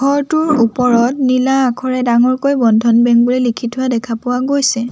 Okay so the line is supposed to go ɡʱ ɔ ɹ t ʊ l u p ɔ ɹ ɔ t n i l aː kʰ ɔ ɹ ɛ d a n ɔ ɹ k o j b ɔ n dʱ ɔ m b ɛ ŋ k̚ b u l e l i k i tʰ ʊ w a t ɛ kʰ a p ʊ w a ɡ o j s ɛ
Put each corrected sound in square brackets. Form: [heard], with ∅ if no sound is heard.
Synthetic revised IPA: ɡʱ ɔ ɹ t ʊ [ɹ] u p ɔ ɹ ɔ t n i l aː kʰ ɔ ɹ ɛ d a [ŋ] ɔ ɹ k o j b ɔ n dʱ ɔ [n] b ɛ ŋ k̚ b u l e l i [kʰ] i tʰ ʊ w a [d] ɛ kʰ a p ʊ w a ɡ o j s ɛ